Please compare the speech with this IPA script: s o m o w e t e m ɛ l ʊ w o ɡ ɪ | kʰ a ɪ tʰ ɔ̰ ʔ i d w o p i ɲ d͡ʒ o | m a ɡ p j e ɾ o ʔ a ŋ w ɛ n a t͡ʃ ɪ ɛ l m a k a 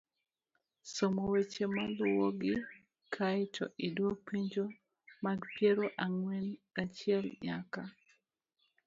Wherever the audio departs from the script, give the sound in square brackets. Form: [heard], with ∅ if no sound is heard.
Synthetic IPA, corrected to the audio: s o m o w e [t͡ʃ] e m [a] l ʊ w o ɡ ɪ | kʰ a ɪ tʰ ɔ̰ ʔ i d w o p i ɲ d͡ʒ o | m a ɡ p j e ɾ o ʔ a ŋ w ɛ n a t͡ʃ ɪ ɛ l [ɲ] a k a